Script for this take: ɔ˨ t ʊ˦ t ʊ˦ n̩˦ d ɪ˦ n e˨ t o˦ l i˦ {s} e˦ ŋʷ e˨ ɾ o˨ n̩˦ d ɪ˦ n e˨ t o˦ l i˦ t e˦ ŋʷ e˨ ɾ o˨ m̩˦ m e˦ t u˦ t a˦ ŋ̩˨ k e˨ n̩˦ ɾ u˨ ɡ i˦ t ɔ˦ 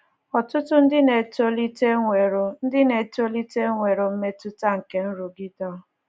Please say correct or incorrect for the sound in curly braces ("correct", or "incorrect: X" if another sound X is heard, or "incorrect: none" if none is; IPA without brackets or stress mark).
incorrect: t